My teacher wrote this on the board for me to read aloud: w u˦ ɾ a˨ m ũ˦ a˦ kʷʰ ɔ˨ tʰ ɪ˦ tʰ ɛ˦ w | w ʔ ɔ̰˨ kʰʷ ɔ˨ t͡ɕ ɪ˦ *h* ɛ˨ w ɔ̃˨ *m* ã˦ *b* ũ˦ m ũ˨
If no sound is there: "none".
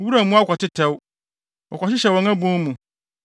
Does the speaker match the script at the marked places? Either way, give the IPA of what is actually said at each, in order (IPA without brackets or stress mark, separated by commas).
ɕ, ŋ, b